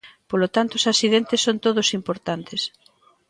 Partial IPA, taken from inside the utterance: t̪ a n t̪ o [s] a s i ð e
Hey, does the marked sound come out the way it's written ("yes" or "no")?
yes